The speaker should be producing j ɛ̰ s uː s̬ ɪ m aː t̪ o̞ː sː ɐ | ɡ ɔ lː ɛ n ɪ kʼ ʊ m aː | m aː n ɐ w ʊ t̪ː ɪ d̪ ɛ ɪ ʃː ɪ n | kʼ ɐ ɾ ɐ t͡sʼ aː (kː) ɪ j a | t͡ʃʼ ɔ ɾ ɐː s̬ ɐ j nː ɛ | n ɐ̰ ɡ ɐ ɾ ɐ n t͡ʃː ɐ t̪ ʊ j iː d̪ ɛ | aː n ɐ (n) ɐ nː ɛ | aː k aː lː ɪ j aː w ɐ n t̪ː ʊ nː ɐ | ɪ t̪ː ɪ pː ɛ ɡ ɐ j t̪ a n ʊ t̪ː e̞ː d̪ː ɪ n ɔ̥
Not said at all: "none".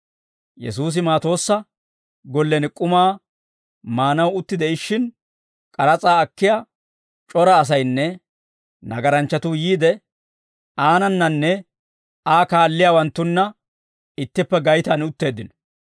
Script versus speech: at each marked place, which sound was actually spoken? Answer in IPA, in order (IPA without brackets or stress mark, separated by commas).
kː, nː